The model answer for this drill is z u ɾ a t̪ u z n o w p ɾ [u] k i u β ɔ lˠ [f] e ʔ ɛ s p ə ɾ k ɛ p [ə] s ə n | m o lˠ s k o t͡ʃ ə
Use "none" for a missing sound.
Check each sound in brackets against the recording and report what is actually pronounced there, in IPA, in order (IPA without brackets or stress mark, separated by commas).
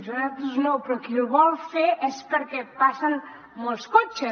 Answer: ɔ, f, a